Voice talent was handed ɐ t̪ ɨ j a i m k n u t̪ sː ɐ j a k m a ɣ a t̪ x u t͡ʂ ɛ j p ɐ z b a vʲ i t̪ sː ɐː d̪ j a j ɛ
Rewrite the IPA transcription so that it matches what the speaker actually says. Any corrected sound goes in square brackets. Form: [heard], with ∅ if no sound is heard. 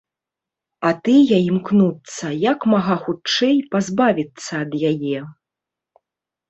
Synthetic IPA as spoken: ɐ t̪ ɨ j a i m k n u t̪ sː ɐ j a k m a ɣ a [∅] x u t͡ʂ ɛ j p [a] z b a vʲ i t̪ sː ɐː d̪ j a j ɛ